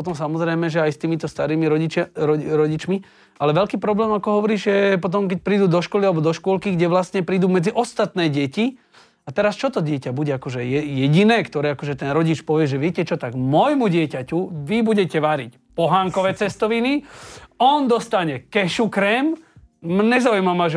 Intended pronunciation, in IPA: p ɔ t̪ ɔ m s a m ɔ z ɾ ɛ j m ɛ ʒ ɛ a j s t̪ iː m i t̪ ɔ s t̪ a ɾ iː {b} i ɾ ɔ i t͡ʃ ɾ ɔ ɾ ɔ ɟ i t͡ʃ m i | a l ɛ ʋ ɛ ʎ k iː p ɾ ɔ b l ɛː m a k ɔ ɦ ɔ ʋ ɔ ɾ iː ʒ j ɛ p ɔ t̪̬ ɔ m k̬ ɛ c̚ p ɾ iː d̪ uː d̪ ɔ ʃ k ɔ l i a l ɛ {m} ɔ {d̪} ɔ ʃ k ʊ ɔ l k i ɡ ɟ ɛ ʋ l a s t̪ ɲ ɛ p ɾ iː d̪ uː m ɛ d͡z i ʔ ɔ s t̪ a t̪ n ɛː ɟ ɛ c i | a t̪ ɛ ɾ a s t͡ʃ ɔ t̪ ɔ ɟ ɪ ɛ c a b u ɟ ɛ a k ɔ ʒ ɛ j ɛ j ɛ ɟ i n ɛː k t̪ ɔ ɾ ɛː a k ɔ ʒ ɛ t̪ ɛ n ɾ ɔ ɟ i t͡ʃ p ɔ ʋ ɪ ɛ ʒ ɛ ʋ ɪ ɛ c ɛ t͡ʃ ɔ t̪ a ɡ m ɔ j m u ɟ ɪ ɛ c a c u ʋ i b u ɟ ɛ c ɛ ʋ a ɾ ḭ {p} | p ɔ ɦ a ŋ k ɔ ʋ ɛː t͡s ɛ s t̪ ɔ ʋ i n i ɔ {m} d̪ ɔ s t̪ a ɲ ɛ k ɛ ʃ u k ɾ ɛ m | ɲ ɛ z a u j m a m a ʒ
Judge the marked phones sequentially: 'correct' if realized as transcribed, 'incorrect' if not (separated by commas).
incorrect, incorrect, correct, incorrect, incorrect